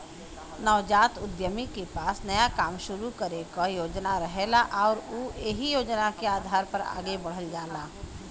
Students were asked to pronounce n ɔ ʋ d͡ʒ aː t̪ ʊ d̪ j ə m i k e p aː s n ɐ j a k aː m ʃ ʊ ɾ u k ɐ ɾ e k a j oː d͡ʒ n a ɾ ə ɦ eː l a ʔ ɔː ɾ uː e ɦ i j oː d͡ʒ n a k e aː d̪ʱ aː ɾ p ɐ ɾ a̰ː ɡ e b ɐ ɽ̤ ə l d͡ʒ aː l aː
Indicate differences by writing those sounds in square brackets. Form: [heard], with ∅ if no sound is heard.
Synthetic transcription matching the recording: n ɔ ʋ d͡ʒ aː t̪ ʊ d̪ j ə m i k e p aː s n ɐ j a k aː m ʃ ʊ ɾ u k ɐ ɾ e k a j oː d͡ʒ n a ɾ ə ɦ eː l a ʔ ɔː ɾ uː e ɦ i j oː d͡ʒ n a k e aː d̪ʱ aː ɾ p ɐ ɾ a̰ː ɡ e b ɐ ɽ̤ ə l d͡ʒ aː l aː